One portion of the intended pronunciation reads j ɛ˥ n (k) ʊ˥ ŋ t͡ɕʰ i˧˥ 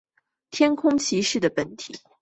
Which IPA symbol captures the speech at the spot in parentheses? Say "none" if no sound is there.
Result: kʰ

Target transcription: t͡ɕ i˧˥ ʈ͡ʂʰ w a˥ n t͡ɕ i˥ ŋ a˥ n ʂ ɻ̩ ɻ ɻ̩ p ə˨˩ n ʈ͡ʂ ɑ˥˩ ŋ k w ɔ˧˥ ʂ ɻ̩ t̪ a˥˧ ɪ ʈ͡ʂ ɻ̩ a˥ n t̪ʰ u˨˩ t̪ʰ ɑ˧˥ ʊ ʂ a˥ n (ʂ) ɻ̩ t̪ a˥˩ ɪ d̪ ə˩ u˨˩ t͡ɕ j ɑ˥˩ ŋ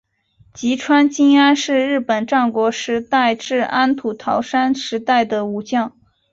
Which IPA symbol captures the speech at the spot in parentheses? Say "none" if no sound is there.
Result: ʂ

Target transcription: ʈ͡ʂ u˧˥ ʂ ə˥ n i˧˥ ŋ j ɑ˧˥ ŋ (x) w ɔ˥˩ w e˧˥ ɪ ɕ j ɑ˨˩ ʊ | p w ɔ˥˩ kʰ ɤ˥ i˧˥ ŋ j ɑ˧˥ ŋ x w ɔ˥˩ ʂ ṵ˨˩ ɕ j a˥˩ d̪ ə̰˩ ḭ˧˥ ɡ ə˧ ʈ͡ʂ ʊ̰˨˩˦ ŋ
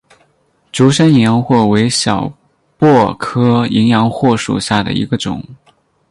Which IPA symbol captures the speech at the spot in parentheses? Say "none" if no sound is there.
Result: x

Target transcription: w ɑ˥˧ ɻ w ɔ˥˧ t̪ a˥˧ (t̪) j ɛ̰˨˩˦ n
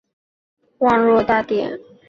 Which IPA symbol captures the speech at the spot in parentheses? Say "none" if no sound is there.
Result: t̪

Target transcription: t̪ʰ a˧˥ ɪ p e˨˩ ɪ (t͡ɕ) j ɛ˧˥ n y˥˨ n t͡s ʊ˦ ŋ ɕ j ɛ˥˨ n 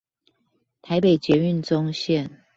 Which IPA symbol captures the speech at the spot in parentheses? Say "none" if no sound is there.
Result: t͡ɕ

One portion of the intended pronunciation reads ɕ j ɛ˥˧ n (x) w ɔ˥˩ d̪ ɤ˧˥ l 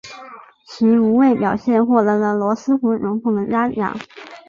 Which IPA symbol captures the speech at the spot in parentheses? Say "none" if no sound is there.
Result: x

